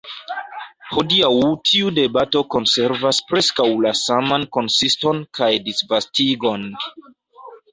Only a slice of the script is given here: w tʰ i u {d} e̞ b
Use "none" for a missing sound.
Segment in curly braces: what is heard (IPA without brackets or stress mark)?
d